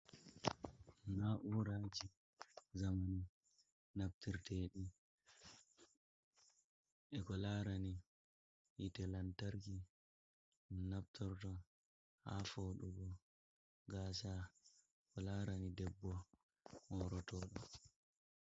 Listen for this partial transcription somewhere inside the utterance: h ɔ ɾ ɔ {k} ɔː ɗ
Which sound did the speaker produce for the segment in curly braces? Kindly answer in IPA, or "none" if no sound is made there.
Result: t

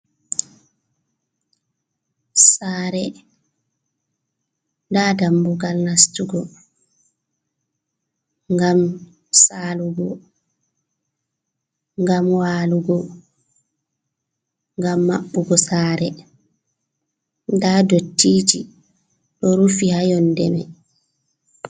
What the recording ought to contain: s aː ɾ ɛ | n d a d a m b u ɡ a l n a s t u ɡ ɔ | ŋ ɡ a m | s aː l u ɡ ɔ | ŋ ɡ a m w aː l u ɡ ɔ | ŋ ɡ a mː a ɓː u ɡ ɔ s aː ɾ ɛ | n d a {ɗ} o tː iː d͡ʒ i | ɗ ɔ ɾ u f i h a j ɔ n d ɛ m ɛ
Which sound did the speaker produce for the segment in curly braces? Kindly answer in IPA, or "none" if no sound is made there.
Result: d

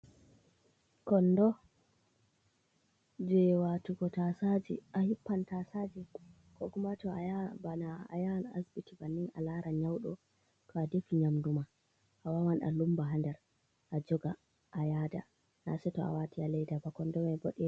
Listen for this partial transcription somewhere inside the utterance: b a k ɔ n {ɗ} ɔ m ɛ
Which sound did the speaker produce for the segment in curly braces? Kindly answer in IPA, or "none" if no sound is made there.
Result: d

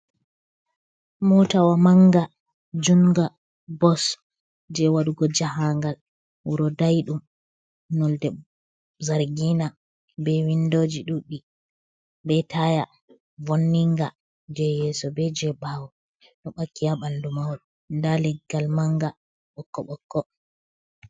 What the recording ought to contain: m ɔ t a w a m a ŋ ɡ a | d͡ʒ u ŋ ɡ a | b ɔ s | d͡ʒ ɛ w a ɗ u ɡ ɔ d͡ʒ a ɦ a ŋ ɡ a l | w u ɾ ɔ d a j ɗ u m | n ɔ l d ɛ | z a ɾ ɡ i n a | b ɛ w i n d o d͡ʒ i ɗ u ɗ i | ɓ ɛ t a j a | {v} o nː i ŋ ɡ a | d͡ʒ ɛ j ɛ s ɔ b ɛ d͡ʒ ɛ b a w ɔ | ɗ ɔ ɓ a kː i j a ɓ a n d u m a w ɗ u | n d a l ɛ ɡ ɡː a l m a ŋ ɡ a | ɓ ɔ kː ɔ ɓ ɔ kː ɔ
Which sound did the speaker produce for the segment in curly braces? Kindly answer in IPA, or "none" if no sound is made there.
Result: v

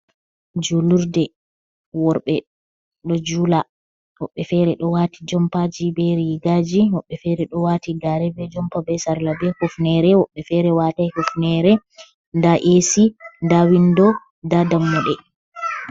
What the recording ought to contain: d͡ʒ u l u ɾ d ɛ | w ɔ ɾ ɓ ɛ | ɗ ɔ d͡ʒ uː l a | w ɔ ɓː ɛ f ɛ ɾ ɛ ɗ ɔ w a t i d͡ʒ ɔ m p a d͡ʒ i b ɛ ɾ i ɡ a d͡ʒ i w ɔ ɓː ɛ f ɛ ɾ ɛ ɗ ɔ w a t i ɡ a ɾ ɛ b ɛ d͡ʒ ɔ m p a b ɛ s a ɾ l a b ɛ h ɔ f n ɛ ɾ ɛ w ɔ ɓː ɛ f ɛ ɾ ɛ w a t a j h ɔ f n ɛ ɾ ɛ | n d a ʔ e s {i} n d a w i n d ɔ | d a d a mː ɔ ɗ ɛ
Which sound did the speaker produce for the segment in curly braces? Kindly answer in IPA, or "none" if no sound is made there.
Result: i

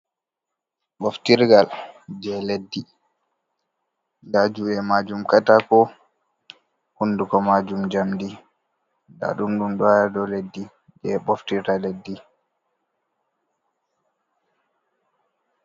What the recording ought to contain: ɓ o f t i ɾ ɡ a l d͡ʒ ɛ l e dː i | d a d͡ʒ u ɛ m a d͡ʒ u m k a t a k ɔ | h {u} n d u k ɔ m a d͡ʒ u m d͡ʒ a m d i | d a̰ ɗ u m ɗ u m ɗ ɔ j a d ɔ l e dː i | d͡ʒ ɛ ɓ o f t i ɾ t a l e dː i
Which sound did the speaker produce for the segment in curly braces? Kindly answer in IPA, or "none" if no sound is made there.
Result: u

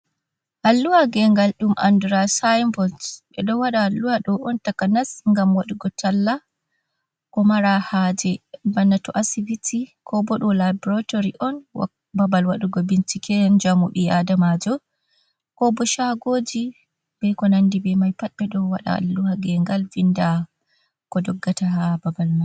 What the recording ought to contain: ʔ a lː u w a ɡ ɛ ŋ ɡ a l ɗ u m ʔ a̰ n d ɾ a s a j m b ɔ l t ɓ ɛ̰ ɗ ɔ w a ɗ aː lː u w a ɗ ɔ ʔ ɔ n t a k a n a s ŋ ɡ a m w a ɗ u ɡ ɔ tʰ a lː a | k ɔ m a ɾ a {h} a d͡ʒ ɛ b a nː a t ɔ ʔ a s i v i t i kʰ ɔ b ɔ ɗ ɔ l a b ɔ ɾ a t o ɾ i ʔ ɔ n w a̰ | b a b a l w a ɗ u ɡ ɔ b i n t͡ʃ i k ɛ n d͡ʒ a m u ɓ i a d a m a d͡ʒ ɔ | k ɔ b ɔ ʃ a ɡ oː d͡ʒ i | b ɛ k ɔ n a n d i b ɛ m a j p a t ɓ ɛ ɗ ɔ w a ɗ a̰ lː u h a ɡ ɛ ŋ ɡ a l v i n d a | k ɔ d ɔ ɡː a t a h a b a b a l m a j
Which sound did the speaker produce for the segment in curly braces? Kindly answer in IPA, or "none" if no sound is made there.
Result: h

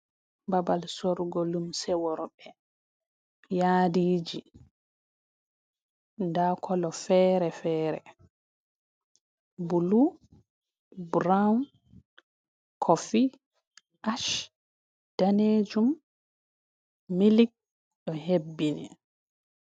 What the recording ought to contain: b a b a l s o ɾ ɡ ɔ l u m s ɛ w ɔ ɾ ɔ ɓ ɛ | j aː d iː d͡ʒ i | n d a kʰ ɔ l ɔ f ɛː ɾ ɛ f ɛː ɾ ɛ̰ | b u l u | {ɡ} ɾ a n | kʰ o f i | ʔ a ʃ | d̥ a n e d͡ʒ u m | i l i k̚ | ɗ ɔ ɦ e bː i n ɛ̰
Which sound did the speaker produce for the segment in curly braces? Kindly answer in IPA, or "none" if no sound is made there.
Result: b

